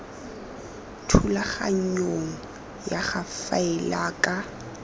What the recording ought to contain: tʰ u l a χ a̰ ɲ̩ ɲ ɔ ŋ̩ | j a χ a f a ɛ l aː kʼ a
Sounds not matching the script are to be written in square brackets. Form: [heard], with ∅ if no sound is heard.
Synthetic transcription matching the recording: tʰ u l a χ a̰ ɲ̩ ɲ [o] ŋ̩ | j a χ a f a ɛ l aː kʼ a

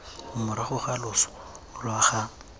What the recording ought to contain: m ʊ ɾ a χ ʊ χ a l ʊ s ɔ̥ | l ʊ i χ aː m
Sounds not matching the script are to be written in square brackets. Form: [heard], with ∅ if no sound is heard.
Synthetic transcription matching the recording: m ʊ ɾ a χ ʊ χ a l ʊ s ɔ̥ | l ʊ [a] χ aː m

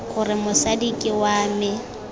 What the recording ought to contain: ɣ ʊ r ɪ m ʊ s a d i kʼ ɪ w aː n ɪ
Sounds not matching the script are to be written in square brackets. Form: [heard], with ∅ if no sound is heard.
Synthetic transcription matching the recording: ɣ ʊ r ɪ m ʊ s a d i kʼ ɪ w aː [m] ɪ

